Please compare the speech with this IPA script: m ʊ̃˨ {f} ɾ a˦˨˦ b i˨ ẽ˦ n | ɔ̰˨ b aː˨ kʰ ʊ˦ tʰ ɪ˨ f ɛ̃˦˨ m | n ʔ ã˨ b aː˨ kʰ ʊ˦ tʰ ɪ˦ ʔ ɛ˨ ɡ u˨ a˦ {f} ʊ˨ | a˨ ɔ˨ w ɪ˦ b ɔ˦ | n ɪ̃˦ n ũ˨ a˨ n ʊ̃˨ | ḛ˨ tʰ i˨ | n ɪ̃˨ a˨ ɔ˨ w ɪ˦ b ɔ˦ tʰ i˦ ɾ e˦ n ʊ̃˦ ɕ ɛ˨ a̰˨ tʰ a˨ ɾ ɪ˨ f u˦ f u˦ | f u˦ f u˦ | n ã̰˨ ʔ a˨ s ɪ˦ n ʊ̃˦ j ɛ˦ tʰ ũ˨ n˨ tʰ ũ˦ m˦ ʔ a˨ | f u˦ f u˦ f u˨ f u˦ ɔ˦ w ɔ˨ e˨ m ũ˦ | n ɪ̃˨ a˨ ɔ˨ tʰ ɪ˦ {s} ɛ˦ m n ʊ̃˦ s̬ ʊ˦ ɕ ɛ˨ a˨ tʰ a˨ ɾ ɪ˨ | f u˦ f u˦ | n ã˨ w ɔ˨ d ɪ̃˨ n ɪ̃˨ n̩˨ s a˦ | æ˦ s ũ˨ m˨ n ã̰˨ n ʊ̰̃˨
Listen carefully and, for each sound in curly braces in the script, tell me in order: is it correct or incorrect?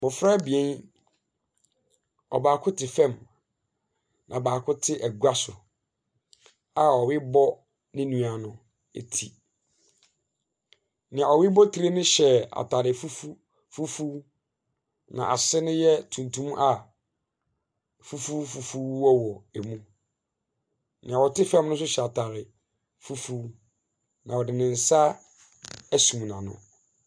correct, incorrect: s, incorrect: f

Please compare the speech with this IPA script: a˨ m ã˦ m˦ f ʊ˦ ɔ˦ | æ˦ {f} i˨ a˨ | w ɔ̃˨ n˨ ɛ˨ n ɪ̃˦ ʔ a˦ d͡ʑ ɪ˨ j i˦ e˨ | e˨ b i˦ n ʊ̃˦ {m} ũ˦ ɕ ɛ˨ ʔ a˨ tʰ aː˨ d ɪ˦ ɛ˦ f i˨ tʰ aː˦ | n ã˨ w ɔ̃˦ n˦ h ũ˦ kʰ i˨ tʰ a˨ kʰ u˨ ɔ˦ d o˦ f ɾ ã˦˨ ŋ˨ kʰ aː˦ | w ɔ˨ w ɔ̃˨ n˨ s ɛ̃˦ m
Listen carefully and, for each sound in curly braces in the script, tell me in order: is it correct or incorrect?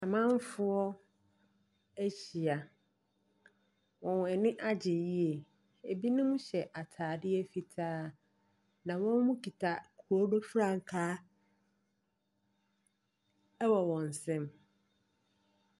incorrect: ɕ, correct

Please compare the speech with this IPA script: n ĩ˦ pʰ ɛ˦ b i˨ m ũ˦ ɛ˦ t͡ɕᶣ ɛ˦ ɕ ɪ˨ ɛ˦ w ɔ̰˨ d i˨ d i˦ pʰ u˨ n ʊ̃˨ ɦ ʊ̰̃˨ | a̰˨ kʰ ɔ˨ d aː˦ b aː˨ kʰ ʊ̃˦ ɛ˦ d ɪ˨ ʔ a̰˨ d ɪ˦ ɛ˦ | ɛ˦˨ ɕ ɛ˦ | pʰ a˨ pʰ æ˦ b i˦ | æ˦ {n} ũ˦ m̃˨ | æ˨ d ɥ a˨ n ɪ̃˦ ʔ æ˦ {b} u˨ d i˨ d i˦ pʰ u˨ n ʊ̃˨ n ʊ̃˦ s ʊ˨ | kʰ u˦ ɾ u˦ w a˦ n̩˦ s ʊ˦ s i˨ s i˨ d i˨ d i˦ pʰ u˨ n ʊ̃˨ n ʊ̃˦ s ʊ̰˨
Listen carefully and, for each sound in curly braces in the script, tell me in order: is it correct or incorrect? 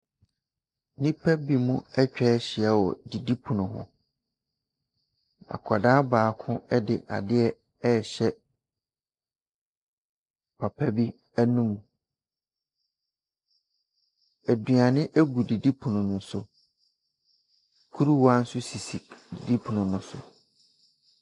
correct, incorrect: ɡ

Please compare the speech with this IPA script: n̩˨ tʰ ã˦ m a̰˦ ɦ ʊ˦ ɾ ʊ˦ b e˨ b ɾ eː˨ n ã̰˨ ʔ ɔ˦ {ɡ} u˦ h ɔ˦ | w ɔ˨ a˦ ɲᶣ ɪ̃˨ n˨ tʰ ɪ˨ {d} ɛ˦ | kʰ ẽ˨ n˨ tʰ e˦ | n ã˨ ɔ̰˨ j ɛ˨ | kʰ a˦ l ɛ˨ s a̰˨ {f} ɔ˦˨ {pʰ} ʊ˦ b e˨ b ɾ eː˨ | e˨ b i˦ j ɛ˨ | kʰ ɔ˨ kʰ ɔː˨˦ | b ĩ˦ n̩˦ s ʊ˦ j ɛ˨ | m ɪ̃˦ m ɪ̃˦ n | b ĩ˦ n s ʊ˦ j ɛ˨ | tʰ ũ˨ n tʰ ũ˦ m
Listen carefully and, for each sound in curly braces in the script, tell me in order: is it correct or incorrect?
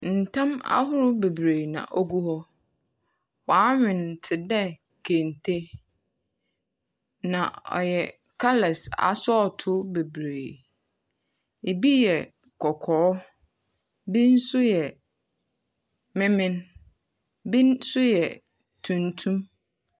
correct, correct, incorrect: s, incorrect: tʰ

